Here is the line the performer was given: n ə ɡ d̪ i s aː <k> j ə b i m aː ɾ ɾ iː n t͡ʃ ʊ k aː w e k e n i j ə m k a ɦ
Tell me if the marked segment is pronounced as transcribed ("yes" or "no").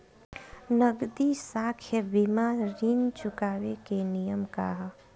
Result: no